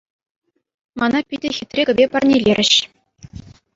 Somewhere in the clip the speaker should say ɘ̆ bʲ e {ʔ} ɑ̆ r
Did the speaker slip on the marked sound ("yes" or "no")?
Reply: yes